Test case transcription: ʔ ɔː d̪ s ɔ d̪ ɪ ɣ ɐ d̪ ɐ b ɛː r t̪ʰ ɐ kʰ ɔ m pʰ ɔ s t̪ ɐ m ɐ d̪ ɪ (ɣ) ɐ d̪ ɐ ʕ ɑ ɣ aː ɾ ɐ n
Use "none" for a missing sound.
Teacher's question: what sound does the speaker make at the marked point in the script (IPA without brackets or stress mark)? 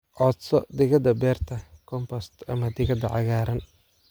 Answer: ɣ